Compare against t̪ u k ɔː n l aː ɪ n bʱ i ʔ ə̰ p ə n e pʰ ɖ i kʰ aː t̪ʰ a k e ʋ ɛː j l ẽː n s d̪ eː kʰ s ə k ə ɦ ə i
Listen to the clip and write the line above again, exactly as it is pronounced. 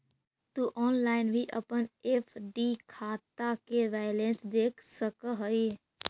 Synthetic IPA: t̪ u ʔ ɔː n l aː ɪ n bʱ i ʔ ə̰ p ə n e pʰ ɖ i kʰ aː t̪ a k e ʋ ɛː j l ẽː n s d̪ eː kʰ s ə k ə ɦ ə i